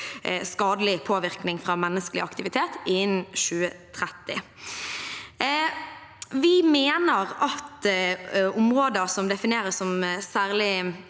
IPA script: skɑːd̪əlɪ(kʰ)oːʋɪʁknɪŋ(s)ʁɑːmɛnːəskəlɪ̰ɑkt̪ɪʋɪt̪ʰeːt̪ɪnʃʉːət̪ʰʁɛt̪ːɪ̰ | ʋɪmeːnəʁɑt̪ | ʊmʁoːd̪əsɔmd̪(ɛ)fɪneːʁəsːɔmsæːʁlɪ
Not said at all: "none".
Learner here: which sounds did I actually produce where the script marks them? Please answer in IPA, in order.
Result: pʰ, f, ɛ

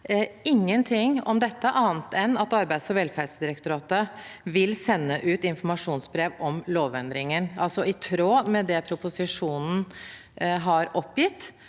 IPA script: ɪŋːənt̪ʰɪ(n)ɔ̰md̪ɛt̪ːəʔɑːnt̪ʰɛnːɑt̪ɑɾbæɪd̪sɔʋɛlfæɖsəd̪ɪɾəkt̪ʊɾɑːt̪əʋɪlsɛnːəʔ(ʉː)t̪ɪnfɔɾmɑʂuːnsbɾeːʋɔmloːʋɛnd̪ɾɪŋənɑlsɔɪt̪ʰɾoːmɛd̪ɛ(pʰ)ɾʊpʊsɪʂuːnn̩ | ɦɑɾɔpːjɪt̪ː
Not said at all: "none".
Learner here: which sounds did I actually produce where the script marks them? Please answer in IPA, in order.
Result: ŋ, ʉː, pʰ

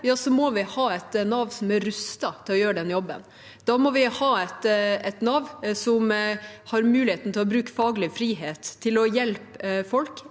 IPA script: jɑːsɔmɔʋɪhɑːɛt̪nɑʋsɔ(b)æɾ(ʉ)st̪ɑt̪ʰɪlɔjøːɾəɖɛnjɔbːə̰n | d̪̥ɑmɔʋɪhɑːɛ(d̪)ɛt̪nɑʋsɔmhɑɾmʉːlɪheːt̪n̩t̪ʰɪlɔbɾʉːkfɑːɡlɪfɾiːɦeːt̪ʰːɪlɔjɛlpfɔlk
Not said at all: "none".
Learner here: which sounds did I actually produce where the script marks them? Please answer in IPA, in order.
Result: m, ʉ, t̪

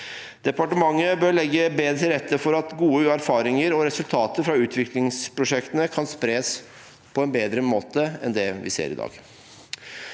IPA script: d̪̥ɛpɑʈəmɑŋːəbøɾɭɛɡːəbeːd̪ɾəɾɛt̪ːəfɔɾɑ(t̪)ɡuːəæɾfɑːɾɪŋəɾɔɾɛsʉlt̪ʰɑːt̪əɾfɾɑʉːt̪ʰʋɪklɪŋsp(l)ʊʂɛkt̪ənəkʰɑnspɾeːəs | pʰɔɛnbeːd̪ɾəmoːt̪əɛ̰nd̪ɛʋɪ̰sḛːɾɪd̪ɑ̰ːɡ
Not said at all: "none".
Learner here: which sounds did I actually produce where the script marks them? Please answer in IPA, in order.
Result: t̪, ɾ

